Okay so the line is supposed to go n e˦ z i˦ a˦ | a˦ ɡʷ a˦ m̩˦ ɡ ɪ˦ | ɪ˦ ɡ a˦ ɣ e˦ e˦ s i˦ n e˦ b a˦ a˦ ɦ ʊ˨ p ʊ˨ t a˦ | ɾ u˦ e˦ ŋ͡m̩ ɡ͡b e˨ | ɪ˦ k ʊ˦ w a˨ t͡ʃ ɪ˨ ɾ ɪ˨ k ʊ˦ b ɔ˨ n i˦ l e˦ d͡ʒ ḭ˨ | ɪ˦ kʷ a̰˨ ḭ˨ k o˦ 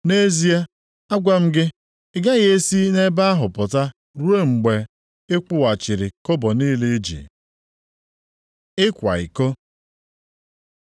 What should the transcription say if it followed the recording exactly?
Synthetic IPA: n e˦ z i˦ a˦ | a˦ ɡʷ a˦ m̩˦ ɡ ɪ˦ | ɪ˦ ɡ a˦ ɣ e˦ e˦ s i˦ n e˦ b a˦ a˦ ɦ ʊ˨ p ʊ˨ t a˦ | ɾ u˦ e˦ ŋ͡m̩ ɡ͡b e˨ | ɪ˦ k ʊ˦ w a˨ t͡ʃ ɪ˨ ɾ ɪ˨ k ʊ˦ b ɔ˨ n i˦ l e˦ d͡ʒ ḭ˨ | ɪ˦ kʷ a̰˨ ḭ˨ k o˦